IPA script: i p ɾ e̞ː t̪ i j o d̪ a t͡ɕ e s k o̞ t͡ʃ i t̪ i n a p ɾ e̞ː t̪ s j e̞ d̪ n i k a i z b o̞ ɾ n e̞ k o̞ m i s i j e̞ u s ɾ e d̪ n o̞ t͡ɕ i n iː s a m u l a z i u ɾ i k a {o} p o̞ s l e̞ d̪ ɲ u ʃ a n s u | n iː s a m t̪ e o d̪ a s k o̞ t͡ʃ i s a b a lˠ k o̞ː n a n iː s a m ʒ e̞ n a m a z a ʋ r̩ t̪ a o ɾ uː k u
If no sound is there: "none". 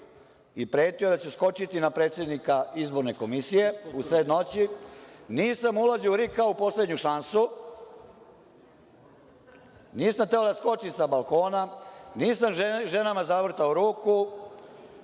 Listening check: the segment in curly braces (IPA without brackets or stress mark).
u